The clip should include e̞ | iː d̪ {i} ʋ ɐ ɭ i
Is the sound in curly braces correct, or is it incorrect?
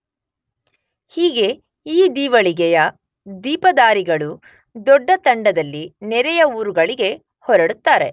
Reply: incorrect